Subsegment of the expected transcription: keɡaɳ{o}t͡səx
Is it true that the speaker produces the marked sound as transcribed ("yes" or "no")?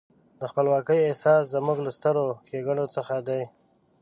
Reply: yes